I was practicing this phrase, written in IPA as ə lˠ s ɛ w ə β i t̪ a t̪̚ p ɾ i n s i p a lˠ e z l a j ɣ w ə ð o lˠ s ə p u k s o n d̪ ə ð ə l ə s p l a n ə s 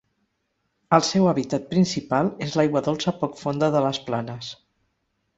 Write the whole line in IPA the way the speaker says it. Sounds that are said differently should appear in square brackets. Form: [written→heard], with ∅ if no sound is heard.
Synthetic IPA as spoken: ə lˠ s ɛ w ə β i t̪ a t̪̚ p ɾ i n s i p a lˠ e z l a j ɣ w ə ð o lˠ s ə p [u→ɔ] k [s→f] o n d̪ ə ð ə l ə s p l a n ə s